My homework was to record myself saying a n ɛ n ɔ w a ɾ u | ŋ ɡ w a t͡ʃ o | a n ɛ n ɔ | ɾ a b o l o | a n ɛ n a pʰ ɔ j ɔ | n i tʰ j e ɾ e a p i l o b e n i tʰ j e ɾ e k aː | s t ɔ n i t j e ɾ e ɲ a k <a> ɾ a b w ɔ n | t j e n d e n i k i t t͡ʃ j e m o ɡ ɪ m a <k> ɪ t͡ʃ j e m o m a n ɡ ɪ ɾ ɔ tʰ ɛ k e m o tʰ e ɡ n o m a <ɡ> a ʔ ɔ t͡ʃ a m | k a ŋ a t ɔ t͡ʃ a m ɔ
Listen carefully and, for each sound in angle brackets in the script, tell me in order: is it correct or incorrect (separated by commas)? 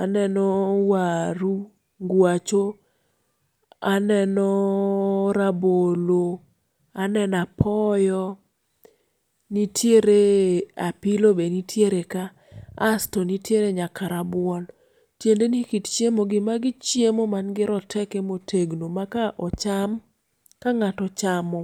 correct, incorrect, incorrect